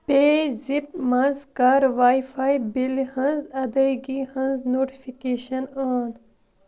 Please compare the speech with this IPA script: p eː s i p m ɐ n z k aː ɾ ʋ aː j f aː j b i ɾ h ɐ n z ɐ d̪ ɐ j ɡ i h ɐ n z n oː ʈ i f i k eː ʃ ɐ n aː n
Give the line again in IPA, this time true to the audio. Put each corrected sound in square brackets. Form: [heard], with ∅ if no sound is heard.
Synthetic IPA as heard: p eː [z] i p m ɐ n z k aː ɾ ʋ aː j f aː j b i [l] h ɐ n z ɐ d̪ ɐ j ɡ i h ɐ n z n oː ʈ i f i k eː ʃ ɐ n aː n